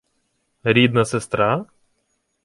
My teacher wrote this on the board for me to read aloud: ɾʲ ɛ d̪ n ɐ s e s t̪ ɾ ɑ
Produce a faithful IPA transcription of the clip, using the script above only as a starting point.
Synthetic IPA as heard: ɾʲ i d̪ n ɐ s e s t̪ ɾ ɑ